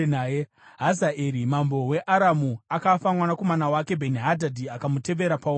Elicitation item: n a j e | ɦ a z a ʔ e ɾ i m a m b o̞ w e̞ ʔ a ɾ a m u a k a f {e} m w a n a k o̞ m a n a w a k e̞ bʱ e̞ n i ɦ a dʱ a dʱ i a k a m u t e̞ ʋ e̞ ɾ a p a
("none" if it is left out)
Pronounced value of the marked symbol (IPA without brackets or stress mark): a